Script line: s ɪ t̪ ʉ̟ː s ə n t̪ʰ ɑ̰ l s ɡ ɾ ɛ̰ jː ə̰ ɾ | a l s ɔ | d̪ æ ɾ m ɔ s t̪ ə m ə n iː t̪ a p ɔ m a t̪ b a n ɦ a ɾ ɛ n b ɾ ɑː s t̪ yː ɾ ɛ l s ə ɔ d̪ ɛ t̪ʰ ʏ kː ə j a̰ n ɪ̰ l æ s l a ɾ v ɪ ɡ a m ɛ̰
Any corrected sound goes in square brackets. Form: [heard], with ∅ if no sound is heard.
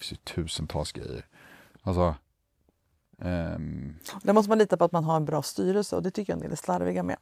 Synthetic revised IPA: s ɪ [t̪ʰ] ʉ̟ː s ə n t̪ʰ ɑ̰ l s ɡ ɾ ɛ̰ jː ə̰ ɾ | a l s ɔ | d̪ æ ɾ m ɔ s t̪ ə m [a] n iː t̪ a p ɔ [∅] a t̪ [m] a n ɦ a ɾ ɛ n b ɾ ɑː s t̪ yː ɾ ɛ l s ə ɔ d̪ ɛ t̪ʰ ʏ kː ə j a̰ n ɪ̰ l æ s l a ɾ v ɪ ɡ a m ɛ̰